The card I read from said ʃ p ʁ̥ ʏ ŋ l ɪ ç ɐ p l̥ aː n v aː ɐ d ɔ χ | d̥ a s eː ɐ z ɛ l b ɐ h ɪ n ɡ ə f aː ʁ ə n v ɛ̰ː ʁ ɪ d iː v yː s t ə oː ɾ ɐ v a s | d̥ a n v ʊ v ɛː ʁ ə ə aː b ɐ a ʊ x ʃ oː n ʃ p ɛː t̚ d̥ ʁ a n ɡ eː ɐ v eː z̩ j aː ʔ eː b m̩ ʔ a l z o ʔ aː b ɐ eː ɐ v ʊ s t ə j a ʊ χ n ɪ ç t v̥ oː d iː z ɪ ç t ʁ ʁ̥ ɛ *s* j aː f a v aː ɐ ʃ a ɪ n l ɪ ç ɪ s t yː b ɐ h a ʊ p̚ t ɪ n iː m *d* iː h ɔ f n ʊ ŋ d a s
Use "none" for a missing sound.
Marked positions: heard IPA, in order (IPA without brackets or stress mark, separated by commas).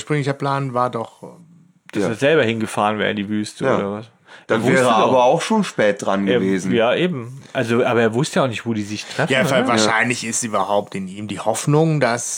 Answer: f, d